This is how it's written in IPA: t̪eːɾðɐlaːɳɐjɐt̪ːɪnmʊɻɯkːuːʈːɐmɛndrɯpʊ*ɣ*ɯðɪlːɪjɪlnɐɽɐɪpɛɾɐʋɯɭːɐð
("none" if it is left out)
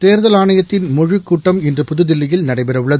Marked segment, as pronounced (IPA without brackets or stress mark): ð